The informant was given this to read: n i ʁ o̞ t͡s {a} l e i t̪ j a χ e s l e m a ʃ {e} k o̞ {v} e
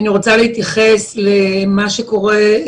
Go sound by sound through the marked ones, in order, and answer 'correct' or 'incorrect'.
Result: correct, correct, incorrect: ʁ

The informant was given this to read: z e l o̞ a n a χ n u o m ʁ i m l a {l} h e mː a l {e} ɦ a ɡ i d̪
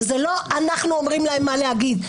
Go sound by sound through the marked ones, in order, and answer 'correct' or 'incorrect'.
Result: incorrect: none, correct

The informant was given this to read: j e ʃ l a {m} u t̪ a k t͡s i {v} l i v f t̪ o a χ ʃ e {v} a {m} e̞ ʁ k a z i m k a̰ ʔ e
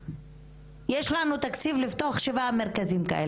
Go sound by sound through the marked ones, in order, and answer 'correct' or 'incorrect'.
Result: incorrect: n, correct, correct, correct

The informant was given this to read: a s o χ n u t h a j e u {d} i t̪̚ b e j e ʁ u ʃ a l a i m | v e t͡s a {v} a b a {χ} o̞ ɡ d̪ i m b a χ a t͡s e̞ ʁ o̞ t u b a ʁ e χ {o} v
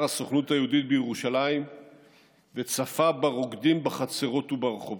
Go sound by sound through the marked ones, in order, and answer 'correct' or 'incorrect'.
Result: correct, incorrect: f, incorrect: ʁ, correct

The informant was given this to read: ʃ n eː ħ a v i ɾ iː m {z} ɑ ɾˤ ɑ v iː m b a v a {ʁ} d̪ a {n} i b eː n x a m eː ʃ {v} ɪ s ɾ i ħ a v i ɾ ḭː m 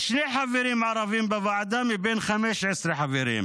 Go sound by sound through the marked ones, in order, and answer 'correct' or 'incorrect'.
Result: incorrect: ʕ, incorrect: ʕ, incorrect: m, incorrect: ʕ

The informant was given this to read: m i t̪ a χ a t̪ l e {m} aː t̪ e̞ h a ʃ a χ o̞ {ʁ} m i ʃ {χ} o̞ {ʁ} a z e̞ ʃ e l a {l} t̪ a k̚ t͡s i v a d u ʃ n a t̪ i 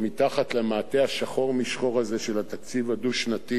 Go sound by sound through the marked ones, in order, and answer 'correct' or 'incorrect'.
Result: correct, correct, correct, correct, incorrect: none

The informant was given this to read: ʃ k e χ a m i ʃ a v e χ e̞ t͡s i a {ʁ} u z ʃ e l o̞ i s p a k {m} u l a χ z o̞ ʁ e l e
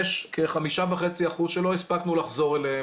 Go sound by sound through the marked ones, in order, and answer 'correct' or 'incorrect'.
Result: incorrect: χ, incorrect: n

